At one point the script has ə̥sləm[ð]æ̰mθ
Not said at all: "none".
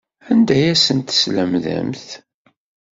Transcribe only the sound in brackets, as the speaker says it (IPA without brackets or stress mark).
ð